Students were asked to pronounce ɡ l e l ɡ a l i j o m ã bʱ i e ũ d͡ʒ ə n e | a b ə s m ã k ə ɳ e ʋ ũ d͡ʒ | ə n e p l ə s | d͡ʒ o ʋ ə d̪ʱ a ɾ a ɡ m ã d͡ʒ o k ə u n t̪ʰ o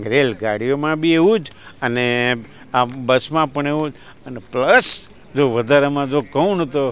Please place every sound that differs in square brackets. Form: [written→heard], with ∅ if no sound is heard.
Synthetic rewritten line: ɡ [l→ɾ] e l ɡ a [l→ɽ] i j o m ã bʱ i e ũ d͡ʒ ə n e | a b ə s m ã [k→p] ə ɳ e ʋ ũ d͡ʒ | ə n e p l ə s | d͡ʒ o ʋ ə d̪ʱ a ɾ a [ɡ→∅] m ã d͡ʒ o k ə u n [t̪ʰ→t̪] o